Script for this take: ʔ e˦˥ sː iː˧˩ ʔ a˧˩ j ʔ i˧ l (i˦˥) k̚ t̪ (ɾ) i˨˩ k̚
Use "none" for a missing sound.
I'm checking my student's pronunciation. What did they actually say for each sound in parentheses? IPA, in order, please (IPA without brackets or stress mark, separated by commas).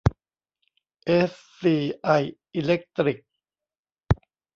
e˦˥, ɾ